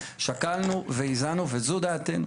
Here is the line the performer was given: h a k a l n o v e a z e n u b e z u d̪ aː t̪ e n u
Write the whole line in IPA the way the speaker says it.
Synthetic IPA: ʃ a k a l n u v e i z a n u v e z u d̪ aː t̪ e n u